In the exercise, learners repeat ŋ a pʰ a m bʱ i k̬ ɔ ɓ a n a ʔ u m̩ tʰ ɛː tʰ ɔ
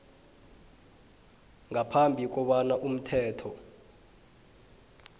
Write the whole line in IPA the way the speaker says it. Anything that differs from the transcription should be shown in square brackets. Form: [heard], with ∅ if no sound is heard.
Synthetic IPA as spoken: ŋ a pʰ a m bʱ i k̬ ɔ ɓ a n a ʔ u m̩ tʰ ɛː tʰ ɔ